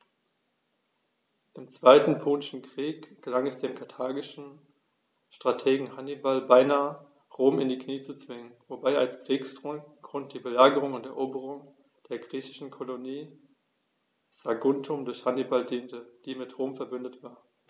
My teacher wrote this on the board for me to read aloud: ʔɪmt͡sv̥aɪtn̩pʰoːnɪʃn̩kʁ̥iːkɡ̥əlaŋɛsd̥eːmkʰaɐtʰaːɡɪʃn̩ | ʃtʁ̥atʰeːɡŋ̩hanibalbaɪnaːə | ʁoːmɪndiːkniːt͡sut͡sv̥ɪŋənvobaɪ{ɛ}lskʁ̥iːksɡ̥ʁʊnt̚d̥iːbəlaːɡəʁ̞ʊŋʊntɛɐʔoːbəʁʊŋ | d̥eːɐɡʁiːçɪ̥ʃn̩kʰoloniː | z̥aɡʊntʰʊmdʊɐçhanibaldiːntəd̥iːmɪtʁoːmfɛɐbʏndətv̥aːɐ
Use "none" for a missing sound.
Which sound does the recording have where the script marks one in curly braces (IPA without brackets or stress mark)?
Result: a